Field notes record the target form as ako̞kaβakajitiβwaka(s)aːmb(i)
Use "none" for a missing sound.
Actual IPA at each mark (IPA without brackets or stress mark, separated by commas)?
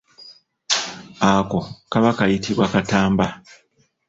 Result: t, a